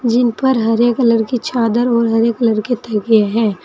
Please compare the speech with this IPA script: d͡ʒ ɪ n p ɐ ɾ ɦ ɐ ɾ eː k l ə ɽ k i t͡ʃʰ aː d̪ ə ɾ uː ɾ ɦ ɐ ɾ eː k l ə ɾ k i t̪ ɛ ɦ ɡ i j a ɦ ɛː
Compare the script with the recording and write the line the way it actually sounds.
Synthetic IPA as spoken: d͡ʒ ɪ n p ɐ ɾ ɦ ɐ ɾ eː k l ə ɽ k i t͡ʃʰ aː d̪ ə ɾ ɔː ɾ ɦ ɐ ɾ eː k l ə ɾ k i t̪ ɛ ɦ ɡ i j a ɦ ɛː